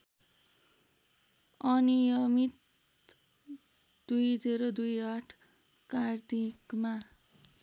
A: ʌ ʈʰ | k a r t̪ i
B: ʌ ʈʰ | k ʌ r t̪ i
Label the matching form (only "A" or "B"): A